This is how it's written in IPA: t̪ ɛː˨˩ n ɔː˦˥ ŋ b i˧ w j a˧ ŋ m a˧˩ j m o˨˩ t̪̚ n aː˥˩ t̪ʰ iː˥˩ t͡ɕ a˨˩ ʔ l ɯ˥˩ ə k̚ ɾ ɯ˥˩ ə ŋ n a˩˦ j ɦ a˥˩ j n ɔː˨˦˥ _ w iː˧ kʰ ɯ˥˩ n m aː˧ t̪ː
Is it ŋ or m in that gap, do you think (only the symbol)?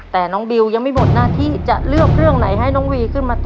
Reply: ŋ